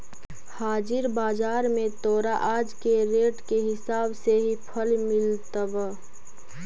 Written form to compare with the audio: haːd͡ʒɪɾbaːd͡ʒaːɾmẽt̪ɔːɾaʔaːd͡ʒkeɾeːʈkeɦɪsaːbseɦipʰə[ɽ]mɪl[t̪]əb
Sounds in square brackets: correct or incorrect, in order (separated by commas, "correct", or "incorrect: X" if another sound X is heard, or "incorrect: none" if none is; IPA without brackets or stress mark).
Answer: incorrect: l, correct